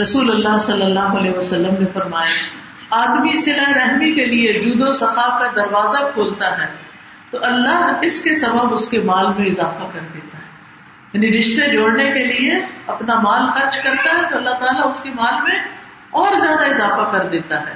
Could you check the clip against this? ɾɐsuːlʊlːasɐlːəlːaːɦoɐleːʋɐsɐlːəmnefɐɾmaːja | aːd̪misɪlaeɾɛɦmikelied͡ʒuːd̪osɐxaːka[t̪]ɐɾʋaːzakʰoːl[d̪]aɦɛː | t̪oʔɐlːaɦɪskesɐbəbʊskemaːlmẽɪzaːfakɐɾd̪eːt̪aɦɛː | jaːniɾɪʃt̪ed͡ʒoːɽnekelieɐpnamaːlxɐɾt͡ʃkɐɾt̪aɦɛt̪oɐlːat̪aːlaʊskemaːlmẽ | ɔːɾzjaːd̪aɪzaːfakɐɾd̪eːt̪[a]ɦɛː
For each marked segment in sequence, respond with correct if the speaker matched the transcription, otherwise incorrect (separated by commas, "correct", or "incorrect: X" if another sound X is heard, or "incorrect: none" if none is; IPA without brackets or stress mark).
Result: incorrect: d̪, incorrect: t̪, correct